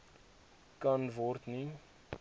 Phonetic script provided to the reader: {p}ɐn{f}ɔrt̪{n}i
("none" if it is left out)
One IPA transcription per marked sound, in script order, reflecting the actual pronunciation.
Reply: k, v, n

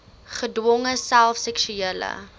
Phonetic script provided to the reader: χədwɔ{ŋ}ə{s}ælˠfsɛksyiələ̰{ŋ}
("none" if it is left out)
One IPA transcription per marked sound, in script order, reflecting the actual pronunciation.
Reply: ŋ, s, none

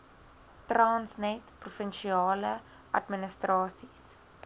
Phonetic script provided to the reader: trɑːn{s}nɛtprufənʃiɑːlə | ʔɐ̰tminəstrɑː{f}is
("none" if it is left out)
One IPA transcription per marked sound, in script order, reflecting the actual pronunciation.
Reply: s, s

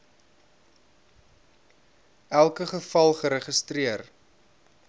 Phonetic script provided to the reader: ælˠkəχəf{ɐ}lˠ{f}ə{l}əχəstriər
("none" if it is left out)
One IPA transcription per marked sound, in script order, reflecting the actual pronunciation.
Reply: ɐ, χ, ɾ

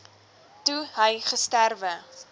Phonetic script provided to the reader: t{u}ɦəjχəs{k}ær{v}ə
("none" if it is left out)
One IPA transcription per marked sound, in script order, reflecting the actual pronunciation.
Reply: u, t, v

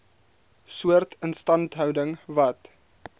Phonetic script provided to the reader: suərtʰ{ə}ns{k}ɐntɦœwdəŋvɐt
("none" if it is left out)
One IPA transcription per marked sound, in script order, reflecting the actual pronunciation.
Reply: ə, t

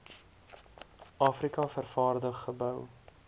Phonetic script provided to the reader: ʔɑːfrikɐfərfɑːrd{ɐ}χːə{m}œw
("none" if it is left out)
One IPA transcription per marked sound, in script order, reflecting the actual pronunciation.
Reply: ə, b

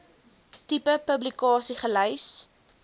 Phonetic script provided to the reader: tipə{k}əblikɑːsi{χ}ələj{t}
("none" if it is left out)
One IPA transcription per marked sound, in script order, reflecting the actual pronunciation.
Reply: p, χ, s

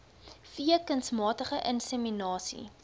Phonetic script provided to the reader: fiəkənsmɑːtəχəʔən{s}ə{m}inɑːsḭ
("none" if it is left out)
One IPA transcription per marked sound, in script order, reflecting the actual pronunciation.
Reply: s, m

